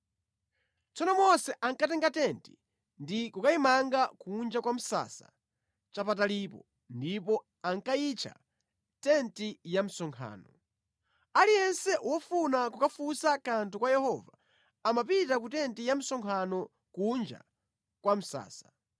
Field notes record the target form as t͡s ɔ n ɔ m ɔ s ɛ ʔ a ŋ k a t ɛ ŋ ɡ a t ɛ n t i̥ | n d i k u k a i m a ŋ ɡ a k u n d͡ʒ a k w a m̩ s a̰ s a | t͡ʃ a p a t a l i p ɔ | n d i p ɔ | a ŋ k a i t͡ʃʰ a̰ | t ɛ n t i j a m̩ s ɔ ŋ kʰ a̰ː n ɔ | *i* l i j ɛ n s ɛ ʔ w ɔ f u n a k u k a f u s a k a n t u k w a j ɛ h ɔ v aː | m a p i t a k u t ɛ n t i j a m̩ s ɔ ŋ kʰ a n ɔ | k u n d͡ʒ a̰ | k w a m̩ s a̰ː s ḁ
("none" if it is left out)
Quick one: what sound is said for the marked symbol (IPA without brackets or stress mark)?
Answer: a